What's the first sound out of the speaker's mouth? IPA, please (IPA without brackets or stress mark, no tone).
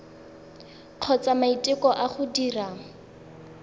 q͡χʰ